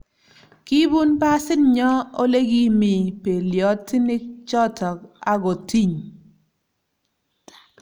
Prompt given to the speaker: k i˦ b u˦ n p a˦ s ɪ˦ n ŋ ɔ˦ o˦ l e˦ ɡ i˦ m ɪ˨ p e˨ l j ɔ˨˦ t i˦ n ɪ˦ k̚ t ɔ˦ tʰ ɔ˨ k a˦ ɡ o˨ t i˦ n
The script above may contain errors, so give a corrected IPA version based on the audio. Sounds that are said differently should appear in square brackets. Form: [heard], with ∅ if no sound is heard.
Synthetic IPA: k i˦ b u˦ n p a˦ s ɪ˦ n [ɲ] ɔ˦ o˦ l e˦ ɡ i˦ m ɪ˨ p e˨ l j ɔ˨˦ t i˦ n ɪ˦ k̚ [t͡ʃ] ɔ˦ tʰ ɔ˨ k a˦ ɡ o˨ t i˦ [ɲ]